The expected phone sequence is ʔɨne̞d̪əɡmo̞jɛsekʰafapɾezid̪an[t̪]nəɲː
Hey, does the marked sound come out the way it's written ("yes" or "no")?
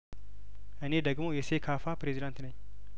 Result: yes